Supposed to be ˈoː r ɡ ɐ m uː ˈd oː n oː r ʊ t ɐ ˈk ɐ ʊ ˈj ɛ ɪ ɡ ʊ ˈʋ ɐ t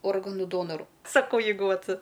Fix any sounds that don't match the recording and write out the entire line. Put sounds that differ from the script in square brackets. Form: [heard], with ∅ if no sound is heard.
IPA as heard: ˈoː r ɡ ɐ [n] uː ˈd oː n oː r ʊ [s] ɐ ˈk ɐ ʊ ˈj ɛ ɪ ɡ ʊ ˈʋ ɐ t

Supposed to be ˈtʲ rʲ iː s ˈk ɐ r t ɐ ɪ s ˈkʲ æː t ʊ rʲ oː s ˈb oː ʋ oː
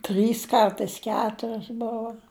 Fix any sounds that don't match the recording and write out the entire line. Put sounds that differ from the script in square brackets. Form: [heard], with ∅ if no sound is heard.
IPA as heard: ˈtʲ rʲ iː s ˈk ɐ r t ɐ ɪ s ˈkʲ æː t ʊ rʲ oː s ˈb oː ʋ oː

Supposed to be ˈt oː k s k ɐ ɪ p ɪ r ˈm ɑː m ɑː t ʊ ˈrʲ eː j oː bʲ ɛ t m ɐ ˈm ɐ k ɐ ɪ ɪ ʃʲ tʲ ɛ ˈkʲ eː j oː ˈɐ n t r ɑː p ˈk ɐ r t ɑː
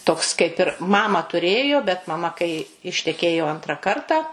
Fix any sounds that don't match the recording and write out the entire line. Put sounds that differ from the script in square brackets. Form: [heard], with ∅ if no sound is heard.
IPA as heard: ˈt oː k s k ɐ ɪ p ɪ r ˈm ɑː m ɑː t ʊ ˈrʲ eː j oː bʲ ɛ t m ɐ ˈm ɐ k ɐ ɪ ɪ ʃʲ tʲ ɛ ˈkʲ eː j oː ˈɐ n t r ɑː [∅] ˈk ɐ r t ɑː

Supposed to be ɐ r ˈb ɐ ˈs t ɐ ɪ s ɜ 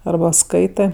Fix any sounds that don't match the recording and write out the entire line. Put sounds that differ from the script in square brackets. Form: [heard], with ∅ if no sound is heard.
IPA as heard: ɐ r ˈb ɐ ˈs [k] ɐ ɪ [t] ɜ

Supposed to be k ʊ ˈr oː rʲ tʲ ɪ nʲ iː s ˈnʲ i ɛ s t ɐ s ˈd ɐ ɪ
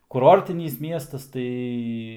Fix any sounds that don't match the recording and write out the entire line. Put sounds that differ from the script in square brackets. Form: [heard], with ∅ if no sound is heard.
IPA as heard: k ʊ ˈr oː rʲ tʲ ɪ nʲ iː s [ˈmʲ] i ɛ s t ɐ s [ˈt] ɐ ɪ

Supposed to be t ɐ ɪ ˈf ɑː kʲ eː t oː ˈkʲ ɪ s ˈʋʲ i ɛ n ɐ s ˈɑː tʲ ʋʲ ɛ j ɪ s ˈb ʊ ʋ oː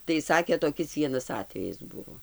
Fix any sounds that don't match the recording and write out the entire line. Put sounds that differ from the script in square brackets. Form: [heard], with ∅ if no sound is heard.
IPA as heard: t ɐ ɪ [ˈs] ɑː kʲ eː t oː ˈkʲ ɪ s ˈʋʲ i ɛ n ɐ s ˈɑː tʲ ʋʲ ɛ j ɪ s ˈb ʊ ʋ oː

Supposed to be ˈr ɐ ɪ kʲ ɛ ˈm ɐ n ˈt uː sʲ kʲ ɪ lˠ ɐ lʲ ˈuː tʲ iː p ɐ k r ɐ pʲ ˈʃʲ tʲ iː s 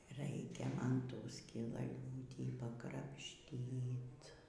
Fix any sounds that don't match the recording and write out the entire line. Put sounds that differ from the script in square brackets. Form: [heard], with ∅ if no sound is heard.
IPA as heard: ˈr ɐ ɪ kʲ ɛ ˈm ɐ n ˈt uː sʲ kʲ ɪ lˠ ɐ lʲ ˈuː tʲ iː p ɐ k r ɐ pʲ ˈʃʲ tʲ iː [t]

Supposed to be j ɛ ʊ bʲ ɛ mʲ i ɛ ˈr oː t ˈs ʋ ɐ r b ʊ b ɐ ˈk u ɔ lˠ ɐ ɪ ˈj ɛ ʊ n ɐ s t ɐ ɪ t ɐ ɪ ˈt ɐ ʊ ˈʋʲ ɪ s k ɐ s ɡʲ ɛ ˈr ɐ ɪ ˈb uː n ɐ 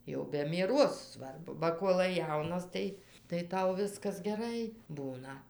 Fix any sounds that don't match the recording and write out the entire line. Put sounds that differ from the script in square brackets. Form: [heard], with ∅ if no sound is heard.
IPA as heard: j ɛ ʊ bʲ ɛ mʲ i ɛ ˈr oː [s] ˈs ʋ ɐ r b ʊ b ɐ ˈk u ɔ lˠ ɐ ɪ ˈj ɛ ʊ n ɐ s t ɐ ɪ t ɐ ɪ ˈt ɐ ʊ ˈʋʲ ɪ s k ɐ s ɡʲ ɛ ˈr ɐ ɪ ˈb uː n ɐ

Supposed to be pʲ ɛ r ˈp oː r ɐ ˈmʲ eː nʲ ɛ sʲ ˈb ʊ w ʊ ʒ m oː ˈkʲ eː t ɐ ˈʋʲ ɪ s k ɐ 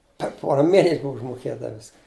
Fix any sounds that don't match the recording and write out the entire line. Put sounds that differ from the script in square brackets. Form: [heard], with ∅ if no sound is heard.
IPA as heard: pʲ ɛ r ˈp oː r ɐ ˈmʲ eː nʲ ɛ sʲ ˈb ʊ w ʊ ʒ m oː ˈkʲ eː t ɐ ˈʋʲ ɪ s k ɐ

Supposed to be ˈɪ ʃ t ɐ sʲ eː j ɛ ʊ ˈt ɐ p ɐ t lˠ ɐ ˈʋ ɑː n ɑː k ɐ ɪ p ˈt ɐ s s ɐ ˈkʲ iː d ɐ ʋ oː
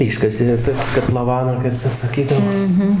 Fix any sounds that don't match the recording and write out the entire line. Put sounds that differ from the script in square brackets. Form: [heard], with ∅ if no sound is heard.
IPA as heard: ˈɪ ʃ [k] ɐ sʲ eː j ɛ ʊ ˈt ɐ [k] ɐ t lˠ ɐ ˈʋ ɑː n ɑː k ɐ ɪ p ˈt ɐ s s ɐ ˈkʲ iː d ɐ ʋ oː

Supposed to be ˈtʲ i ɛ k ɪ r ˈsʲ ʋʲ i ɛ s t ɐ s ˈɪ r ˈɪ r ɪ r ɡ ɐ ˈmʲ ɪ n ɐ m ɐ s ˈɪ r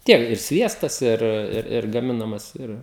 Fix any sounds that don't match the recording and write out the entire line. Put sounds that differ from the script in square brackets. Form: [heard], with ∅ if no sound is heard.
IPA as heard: ˈtʲ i ɛ k ɪ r ˈsʲ ʋʲ i ɛ s t ɐ s ˈɪ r ˈɪ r ɪ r ɡ ɐ ˈmʲ ɪ n ɐ m ɐ s ˈɪ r

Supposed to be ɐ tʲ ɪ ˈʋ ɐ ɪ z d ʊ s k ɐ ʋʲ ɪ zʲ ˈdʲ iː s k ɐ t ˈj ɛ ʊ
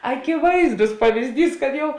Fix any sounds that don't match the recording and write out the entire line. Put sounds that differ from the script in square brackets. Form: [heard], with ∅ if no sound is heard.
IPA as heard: ɐ [kʲ] ɪ ˈʋ ɐ ɪ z d ʊ s [p] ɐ ʋʲ ɪ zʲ ˈdʲ iː s k ɐ t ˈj ɛ ʊ

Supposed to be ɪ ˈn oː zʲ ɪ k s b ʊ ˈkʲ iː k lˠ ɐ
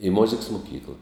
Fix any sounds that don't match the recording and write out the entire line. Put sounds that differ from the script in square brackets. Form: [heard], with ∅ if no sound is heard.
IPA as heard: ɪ [ˈm] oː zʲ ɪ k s [m] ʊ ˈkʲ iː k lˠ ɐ

